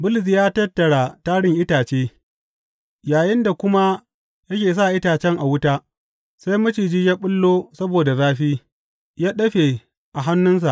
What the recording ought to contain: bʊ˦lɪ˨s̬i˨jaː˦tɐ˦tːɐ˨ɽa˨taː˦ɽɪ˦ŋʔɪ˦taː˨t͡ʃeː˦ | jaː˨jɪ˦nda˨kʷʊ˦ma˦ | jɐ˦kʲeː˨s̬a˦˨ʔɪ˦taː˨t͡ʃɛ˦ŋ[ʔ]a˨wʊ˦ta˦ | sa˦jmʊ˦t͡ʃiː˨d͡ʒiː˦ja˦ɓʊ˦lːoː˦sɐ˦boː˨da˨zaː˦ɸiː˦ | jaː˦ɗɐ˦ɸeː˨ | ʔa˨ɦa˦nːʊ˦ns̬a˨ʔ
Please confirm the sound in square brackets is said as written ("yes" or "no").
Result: yes